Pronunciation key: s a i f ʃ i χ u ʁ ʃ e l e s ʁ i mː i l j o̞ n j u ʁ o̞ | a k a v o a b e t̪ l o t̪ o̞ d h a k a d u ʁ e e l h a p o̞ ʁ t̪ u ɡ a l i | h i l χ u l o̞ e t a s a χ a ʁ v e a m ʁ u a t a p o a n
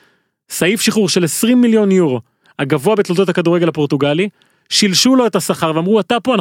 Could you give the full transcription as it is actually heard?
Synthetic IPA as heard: s a i f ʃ i χ u ʁ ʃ e l e s ʁ i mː i l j o̞ n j u ʁ o̞ | a ɡ a v o a b e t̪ l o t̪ o̞ t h a k a d u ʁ e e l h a p o̞ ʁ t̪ u ɡ a l i | ʃ i l ʃ u l o̞ e t a s a χ a ʁ v e a m ʁ u a t a p o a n